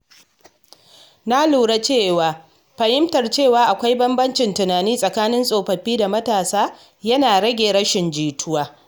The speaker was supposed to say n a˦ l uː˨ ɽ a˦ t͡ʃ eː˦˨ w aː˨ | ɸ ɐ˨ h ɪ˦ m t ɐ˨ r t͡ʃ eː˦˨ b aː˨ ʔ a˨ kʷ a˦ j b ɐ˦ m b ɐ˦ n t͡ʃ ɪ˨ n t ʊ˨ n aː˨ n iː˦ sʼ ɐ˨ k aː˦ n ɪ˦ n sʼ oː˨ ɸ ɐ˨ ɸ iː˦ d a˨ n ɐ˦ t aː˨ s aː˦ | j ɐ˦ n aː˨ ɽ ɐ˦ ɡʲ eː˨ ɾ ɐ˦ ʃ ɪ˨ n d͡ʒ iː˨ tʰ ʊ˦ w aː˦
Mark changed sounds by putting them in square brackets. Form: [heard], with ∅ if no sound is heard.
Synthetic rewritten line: n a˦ l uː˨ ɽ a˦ t͡ʃ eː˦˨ w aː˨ | ɸ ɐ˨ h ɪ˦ m t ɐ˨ r t͡ʃ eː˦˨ [w] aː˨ ʔ a˨ kʷ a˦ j b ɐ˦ m b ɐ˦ n t͡ʃ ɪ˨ n t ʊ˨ n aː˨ n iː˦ sʼ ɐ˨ k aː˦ n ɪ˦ n sʼ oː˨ ɸ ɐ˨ ɸ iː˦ d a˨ [m] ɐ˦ t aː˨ s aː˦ | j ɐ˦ n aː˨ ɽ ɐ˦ ɡʲ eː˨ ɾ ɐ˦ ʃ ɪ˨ n d͡ʒ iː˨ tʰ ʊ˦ w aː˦